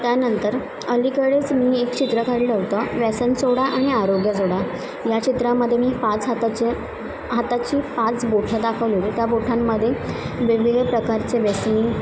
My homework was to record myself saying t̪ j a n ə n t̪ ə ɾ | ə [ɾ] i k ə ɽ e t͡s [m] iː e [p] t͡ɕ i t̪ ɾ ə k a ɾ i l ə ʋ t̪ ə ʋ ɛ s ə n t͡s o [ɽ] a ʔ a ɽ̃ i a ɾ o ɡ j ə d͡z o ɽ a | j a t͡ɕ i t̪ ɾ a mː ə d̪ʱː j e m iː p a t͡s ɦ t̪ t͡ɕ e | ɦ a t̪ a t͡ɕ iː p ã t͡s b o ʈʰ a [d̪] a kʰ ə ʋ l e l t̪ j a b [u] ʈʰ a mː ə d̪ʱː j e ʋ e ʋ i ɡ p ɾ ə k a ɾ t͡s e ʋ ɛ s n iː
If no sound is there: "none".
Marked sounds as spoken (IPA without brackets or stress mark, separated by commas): l, m, k, ɽ, d̪, o